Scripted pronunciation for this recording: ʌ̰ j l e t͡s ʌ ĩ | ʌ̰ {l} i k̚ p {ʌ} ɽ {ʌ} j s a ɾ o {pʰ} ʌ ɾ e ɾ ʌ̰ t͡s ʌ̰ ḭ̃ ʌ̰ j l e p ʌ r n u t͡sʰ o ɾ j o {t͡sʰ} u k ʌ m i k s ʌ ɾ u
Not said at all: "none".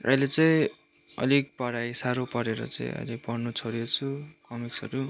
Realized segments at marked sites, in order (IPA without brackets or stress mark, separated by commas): l, ʌ, a, p, t͡sʰ